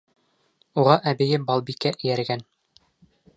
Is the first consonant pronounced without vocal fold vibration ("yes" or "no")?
no